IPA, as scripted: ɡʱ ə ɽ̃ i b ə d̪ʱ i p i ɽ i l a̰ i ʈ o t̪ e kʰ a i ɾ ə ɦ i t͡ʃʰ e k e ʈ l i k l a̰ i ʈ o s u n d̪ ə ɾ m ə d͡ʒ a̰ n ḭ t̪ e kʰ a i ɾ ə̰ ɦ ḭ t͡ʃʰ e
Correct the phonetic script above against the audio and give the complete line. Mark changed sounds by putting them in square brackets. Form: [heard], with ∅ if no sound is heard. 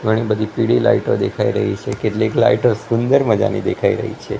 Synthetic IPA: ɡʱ ə ɽ̃ i b ə d̪ʱ i p i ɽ i l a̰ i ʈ o [d̪] e kʰ a i ɾ ə ɦ i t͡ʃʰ e k e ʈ l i k l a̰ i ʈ o s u n d̪ ə ɾ m ə d͡ʒ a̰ n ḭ [d̪] e kʰ a i ɾ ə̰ ɦ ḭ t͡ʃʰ e